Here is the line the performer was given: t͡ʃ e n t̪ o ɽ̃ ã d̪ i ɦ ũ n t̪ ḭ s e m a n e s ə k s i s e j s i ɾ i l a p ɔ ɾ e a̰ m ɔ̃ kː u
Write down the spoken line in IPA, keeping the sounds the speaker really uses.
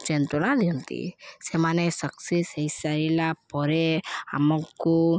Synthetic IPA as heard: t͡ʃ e n t̪ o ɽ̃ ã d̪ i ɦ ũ n t̪ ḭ s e m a n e s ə k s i s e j s a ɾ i l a p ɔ ɾ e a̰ m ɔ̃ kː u